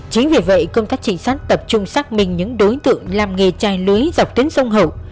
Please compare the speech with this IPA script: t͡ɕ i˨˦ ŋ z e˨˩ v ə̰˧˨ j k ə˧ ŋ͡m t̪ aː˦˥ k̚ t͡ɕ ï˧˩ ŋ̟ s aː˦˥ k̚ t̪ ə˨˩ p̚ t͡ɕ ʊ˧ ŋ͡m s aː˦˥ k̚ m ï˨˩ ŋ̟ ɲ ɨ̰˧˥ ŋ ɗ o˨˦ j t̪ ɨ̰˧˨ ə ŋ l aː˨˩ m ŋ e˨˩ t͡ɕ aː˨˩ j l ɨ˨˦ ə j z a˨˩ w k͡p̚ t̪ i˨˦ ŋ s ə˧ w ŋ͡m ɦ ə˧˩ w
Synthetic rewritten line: t͡ɕ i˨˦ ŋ v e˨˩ v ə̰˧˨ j k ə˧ ŋ͡m t̪ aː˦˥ k̚ t͡ɕ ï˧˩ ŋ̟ s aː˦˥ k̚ t̪ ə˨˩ p̚ t͡ɕ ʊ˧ ŋ͡m s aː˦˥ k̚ m ï˨˩ ŋ̟ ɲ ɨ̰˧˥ ŋ ɗ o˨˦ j t̪ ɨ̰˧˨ ə ŋ l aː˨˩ m ŋ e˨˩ t͡ɕ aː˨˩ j l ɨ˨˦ ə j z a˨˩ w k͡p̚ t̪ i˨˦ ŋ s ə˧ w ŋ͡m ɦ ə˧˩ w